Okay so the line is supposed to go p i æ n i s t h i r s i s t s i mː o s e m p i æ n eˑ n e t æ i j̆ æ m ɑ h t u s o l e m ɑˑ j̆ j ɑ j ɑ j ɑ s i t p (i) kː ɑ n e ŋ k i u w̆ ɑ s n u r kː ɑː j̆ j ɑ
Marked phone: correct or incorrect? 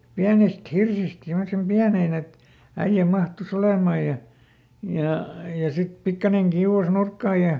correct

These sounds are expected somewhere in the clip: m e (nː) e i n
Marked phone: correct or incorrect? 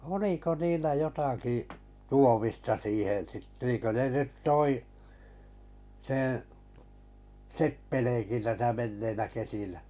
correct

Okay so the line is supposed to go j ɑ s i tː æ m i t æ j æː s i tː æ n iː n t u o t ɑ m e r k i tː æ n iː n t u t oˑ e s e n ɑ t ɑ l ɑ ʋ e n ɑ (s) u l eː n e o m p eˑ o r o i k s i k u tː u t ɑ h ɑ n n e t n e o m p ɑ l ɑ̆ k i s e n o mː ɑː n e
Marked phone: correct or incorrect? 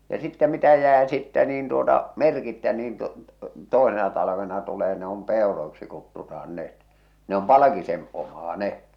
incorrect: t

